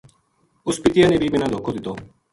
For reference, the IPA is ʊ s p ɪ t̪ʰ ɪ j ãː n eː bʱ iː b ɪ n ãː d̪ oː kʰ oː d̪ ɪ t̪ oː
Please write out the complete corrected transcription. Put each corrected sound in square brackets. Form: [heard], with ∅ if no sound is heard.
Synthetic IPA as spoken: ʊ s p ɪ [t̪] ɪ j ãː n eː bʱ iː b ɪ n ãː d̪ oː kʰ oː d̪ ɪ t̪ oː